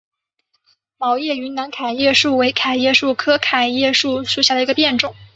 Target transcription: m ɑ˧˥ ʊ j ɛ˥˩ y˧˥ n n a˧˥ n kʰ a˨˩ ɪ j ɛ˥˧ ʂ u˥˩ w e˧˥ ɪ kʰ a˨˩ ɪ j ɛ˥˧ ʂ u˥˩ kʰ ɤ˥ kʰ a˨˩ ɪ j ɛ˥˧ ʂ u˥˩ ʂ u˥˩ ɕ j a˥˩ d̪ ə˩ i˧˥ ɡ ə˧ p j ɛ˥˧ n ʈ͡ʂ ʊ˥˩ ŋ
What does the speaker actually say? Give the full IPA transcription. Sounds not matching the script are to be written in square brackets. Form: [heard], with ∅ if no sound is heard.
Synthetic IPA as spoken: m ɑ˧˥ ʊ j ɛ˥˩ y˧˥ n n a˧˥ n kʰ a˨˩ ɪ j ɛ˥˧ ʂ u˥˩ w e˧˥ ɪ kʰ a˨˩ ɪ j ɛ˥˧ ʂ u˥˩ kʰ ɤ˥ kʰ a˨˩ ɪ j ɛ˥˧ ʂ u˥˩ ʂ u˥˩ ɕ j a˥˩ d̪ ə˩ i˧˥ ɡ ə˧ p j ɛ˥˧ n ʈ͡ʂ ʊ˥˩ ŋ